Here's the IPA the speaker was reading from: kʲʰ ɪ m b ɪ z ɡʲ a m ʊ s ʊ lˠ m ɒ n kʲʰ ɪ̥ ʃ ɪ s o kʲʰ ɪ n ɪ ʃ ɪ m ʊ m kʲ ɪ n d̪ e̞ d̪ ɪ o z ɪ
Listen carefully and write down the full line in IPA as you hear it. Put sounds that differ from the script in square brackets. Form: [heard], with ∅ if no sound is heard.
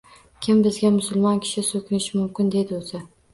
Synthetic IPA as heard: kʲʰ ɪ m b ɪ z ɡʲ a m ʊ s ʊ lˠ m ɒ n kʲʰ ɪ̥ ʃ ɪ s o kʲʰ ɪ n ɪ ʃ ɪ m ʊ m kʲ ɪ n d̪ e̞ d̪ ɪ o z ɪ